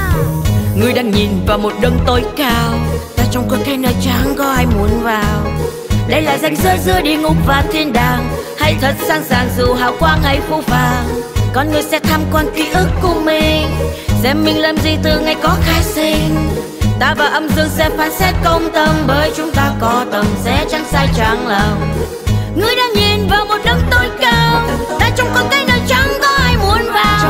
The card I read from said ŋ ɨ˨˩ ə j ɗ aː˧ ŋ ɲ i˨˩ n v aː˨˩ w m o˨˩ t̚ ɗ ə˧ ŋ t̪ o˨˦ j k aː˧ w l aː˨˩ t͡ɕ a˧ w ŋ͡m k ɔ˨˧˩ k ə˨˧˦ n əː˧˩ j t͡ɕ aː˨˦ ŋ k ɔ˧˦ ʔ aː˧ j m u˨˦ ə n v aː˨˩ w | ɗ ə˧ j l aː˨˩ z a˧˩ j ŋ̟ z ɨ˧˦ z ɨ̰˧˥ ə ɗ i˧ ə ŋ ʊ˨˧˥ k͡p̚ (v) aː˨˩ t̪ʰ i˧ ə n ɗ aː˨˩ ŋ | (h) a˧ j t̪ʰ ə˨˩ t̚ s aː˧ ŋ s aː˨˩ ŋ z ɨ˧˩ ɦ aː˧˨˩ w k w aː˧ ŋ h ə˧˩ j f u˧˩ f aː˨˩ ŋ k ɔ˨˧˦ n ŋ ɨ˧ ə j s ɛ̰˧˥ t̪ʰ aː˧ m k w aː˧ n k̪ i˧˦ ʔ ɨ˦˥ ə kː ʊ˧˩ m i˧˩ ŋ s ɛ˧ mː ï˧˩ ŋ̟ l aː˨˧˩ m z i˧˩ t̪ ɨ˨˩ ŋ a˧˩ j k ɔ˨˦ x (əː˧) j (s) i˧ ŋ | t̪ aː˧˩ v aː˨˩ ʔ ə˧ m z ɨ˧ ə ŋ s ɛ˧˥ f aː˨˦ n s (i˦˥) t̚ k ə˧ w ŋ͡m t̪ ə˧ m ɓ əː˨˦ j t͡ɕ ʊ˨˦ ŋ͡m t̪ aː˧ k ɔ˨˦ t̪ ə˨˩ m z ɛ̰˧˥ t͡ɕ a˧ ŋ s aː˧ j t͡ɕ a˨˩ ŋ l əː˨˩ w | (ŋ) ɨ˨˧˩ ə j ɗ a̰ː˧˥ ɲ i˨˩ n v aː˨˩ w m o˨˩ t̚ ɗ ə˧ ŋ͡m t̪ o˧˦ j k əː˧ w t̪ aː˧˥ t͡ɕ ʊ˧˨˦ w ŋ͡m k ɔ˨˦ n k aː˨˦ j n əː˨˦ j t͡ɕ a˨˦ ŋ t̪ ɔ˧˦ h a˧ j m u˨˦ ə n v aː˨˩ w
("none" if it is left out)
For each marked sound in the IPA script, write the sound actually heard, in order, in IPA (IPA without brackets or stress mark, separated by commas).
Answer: v, h, aː˧, s, ɛ˦˥, ŋ